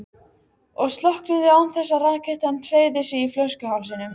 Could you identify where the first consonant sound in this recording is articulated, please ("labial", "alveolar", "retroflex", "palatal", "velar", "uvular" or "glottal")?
velar